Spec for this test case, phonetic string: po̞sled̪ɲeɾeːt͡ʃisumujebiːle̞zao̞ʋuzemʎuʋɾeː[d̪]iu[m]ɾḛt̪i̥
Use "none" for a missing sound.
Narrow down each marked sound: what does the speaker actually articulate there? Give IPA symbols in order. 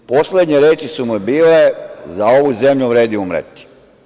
d̪, m

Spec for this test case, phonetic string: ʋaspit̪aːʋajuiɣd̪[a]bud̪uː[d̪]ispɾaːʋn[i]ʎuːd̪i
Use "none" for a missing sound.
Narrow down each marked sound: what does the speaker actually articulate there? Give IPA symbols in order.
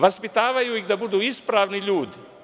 a, none, i

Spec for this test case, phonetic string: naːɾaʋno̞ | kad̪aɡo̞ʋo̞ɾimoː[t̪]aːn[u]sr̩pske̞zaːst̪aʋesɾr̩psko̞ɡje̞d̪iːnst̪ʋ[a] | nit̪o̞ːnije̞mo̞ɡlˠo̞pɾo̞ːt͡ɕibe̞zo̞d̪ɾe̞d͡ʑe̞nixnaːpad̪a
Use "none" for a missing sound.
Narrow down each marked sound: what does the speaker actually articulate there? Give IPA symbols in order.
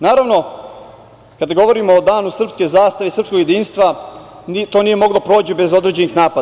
d̪, u, a

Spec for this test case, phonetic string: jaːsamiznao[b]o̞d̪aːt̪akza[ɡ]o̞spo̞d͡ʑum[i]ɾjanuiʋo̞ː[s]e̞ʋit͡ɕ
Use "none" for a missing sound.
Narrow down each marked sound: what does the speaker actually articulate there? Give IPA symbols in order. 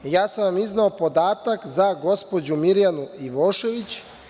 p, ɡ, i, ʃ

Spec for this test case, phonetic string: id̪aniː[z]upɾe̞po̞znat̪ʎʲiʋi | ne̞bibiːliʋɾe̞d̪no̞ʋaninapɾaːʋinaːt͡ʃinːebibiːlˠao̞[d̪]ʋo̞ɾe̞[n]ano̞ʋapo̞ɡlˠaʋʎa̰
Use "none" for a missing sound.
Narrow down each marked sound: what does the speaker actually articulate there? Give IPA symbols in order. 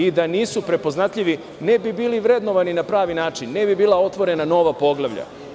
s, t̪, n

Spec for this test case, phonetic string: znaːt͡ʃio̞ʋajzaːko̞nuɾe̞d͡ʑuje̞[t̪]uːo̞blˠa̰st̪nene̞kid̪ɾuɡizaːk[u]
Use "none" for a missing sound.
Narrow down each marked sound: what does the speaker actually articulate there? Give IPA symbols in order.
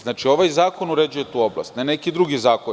t̪, o

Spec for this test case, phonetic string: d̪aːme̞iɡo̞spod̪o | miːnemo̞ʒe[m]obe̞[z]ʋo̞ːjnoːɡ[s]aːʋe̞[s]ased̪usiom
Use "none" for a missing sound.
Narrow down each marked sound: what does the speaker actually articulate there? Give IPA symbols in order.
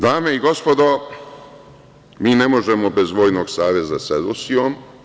m, z, s, z

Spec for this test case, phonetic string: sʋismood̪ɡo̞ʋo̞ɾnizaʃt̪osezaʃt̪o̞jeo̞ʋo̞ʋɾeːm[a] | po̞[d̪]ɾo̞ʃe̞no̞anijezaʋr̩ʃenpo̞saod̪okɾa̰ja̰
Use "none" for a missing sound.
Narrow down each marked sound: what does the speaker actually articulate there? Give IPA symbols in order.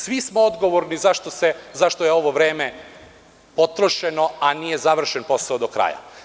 e, t̪

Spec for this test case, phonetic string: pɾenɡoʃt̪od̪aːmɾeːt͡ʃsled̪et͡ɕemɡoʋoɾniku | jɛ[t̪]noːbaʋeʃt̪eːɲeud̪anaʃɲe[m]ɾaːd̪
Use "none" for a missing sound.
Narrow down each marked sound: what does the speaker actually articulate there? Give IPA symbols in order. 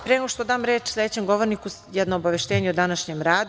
d̪, m

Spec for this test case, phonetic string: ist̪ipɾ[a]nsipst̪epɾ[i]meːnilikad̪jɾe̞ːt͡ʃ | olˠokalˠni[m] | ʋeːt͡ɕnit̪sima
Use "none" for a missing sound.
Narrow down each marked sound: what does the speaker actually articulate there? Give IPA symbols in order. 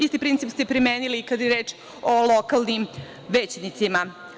i, i, m

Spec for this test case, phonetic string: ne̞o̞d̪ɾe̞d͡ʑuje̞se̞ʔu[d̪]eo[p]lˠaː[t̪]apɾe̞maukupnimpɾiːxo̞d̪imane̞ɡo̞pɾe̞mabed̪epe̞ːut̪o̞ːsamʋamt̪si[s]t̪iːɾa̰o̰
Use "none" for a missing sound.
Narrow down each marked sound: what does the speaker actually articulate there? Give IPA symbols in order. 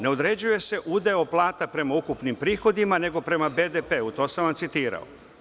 d̪, p, t̪, none

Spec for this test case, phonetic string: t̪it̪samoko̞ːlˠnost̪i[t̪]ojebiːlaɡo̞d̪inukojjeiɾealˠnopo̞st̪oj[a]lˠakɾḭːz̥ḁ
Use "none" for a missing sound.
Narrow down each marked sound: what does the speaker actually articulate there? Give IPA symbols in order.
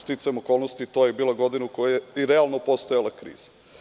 t̪, a

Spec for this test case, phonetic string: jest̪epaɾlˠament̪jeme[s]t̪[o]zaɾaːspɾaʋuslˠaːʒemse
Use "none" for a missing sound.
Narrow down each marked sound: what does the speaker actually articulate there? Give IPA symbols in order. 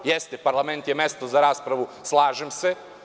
s, o

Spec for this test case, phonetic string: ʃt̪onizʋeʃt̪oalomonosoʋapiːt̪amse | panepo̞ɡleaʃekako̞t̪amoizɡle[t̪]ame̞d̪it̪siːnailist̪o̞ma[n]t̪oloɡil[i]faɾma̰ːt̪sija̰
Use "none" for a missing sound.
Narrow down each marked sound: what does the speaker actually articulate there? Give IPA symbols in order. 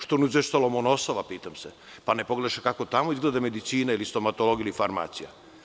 d̪, none, i

